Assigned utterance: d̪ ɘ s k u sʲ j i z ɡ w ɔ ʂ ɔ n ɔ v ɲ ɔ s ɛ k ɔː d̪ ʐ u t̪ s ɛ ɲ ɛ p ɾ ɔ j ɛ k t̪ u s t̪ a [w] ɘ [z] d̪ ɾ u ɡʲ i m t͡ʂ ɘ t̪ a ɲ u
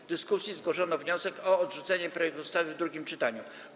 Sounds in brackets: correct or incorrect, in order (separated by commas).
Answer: incorrect, incorrect